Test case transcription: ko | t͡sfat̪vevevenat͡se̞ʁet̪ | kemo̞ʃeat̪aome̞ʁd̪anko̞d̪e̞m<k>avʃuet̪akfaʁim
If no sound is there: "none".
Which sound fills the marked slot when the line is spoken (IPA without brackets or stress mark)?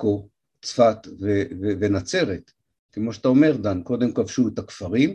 k